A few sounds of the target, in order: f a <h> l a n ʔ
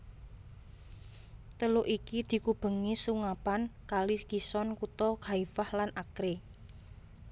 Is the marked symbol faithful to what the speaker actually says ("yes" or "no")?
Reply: yes